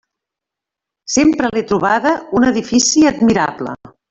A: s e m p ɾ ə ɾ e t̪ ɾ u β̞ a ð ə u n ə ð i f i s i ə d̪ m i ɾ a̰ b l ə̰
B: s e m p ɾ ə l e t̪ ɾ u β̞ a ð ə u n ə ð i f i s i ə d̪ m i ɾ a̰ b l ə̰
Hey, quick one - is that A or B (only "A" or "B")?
B